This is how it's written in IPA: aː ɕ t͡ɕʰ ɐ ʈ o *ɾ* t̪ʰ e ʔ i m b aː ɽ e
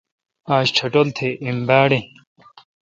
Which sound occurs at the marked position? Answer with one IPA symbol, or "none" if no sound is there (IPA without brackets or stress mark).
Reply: l